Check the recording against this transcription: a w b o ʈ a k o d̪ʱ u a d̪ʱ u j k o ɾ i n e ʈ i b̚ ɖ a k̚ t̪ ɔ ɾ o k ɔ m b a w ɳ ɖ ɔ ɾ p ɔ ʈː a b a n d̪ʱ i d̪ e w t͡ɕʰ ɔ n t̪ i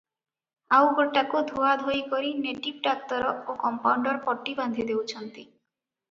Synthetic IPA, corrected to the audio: a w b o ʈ a k o d̪ʱ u a d̪ʱ o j k o ɾ i n e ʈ i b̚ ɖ a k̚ t̪ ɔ ɾ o k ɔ m p a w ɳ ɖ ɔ ɾ p ɔ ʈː i b a n d̪ʱ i d̪ e w t͡ɕʰ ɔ n t̪ i